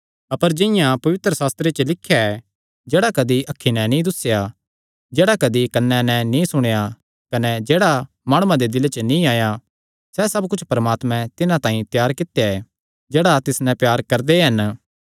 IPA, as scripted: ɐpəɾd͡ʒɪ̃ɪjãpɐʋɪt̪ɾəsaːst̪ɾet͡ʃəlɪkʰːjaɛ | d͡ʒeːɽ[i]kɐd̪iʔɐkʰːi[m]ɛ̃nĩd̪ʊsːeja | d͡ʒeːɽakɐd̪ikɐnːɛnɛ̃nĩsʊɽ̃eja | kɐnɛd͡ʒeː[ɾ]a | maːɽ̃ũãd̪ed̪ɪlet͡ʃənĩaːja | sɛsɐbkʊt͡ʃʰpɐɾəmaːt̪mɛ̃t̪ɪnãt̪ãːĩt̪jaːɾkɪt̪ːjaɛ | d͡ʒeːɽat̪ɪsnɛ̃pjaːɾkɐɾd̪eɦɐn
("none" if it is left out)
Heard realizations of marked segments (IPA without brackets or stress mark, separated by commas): a, n, ɽ